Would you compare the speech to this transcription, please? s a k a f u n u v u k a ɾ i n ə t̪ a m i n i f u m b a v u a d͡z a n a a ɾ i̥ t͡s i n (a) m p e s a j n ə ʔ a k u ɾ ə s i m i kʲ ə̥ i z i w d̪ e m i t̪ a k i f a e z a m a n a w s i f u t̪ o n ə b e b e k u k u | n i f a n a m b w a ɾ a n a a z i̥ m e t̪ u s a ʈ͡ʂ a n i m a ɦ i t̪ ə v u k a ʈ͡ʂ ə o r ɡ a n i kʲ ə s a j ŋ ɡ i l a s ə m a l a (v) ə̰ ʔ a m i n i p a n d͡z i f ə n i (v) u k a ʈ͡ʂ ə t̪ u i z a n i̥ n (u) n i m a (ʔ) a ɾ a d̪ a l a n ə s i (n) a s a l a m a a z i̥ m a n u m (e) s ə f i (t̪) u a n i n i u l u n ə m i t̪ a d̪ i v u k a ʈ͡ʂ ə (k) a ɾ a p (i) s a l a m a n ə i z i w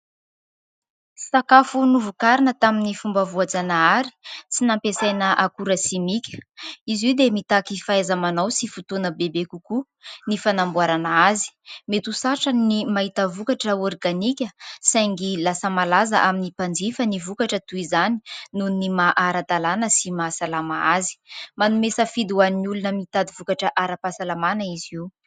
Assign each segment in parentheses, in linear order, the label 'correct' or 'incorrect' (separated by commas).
correct, incorrect, correct, correct, correct, incorrect, correct, incorrect, incorrect, incorrect